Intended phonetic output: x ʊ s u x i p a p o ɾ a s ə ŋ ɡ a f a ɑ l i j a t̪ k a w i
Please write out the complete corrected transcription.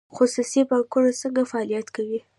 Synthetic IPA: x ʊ s u s i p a k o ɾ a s ə ŋ ɡ a f a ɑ l i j a t̪ k a w i